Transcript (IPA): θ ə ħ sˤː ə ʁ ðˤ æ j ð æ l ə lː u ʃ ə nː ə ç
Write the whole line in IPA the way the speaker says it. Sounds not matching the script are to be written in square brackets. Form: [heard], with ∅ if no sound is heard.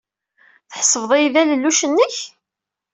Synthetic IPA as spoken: θ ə ħ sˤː ə [v] ðˤ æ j ð æ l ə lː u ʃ ə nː ə ç